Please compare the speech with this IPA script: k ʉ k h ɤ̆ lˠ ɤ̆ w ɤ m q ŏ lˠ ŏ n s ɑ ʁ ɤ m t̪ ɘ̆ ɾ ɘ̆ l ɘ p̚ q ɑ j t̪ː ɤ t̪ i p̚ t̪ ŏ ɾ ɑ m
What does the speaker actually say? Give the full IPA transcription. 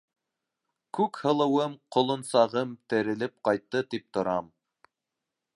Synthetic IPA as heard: k ʉ k h ɤ̆ lˠ ɤ̆ w ɤ m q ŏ lˠ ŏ n s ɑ ʁ ɤ m t̪ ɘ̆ ɾ ɘ̆ l ɘ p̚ q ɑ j t̪ː ɤ t̪ i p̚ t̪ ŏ ɾ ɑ m